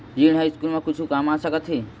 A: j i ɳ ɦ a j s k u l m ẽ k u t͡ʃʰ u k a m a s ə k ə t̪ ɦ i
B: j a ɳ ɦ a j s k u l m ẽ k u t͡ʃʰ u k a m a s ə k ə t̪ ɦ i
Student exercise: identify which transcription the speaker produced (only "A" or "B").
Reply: A